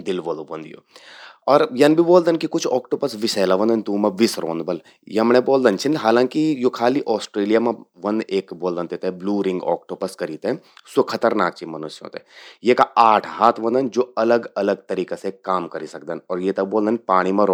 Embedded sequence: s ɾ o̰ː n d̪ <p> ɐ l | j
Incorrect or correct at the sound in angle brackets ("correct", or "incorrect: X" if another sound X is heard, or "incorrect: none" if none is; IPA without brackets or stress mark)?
incorrect: b